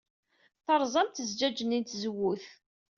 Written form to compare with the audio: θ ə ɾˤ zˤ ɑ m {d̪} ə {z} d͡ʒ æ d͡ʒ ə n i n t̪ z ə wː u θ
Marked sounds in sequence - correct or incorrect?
incorrect: t̪, correct

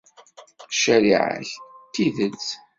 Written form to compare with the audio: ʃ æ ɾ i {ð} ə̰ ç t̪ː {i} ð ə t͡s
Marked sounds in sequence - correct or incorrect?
incorrect: ʕ, correct

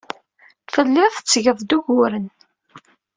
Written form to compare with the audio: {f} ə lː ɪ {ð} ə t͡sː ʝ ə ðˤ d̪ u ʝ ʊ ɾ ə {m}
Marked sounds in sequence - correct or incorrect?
correct, incorrect: θ, incorrect: n

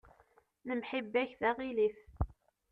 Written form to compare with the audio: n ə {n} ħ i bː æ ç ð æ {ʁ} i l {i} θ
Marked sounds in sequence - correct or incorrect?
incorrect: m, correct, correct

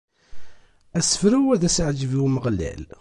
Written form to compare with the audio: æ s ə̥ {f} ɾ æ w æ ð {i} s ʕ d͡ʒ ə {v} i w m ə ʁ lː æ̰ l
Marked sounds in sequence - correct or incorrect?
correct, incorrect: æ, correct

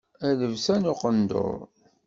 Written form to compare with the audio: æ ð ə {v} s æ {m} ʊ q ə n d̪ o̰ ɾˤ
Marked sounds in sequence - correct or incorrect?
correct, incorrect: n

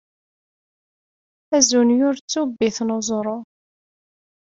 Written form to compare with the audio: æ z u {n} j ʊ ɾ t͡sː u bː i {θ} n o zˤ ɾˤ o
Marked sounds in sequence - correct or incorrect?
correct, correct

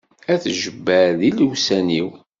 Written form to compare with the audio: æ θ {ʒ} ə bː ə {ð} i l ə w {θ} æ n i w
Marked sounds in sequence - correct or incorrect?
correct, correct, incorrect: s

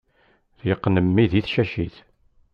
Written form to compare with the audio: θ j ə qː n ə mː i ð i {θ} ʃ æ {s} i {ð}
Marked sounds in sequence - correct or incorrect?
correct, incorrect: ʃ, incorrect: θ

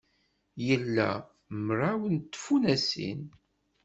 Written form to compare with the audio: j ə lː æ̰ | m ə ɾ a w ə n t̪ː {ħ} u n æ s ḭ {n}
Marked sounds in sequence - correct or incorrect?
incorrect: f, correct

